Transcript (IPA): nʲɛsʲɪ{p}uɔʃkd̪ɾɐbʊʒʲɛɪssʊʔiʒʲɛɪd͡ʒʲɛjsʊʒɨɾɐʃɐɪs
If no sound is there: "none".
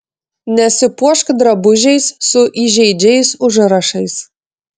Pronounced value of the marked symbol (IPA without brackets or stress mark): p